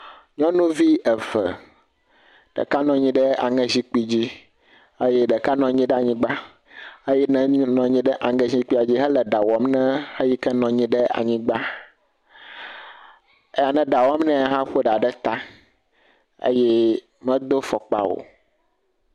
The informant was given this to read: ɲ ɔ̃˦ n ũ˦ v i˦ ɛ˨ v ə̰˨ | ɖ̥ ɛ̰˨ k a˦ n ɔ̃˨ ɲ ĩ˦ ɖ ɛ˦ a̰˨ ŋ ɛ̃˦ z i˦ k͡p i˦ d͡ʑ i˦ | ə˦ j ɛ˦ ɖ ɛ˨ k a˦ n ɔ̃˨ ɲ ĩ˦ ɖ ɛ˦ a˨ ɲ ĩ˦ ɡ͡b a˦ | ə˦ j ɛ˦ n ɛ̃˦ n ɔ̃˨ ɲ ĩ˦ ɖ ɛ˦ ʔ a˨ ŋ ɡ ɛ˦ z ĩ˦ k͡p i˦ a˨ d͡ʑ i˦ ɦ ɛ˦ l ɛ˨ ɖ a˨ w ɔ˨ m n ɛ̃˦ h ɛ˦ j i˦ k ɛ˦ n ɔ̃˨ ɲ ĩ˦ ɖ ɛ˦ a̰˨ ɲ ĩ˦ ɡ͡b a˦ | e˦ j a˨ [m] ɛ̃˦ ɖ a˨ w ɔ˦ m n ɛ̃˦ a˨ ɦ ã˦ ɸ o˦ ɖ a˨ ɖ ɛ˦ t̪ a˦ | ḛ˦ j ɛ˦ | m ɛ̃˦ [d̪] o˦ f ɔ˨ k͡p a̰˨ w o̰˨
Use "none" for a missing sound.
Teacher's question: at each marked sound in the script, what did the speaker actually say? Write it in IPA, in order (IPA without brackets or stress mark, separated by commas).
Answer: n, d̪